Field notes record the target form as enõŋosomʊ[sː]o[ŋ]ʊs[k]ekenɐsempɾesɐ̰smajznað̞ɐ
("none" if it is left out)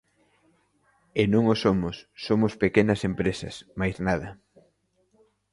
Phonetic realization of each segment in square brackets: sː, m, p

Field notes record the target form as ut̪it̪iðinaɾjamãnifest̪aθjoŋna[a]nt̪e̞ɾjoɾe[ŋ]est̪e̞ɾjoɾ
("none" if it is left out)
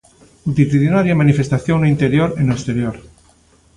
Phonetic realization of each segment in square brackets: i, n

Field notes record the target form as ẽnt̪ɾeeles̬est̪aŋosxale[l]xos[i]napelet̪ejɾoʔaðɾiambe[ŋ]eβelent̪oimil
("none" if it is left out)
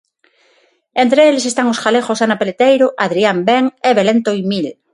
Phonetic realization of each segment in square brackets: none, a, ŋ

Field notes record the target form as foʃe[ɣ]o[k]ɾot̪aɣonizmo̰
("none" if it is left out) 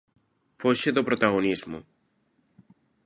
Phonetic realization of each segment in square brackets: ð, p

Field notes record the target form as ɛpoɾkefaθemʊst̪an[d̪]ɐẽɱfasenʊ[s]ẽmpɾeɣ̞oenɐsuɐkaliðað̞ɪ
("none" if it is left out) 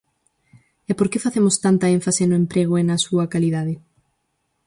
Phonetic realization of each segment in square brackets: t̪, none

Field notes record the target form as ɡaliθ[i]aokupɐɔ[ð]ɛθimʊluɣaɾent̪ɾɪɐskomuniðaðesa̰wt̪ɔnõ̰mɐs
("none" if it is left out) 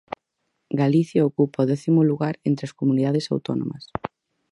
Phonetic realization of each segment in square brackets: j, ð

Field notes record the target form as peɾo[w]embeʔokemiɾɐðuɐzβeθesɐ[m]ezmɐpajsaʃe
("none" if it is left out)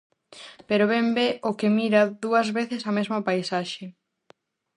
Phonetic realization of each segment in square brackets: β, m

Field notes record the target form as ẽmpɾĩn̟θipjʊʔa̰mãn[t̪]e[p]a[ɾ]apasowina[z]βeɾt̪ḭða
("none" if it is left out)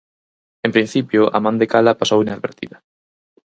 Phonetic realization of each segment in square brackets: d̪, k, l, ð

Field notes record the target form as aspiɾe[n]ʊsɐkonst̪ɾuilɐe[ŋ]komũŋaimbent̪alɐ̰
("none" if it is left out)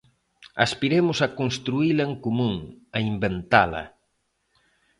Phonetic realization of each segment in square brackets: m, ŋ

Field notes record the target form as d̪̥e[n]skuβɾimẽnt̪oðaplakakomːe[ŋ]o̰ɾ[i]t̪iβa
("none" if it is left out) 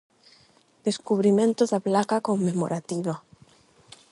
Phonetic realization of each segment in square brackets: none, m, a

